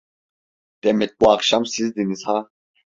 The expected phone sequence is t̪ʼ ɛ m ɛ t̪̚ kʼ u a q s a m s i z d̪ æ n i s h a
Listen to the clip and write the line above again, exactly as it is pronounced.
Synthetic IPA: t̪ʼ ɛ m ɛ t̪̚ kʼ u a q ʃ a m s i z d̪ i n i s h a